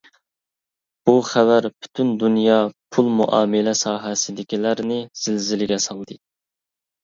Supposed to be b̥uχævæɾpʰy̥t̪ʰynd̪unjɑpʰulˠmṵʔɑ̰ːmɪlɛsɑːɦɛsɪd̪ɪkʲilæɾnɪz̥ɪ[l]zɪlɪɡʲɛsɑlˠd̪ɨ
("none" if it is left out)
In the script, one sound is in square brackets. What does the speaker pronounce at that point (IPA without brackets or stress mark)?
l